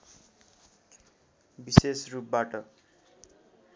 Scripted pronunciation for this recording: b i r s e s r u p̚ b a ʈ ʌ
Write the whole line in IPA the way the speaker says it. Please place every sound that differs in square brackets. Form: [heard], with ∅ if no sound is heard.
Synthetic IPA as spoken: b i [∅] s e s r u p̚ b a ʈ ʌ